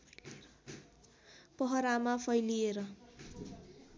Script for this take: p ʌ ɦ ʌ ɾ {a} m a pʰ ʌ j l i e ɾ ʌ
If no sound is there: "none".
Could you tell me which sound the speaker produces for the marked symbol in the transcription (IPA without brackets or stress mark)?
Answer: a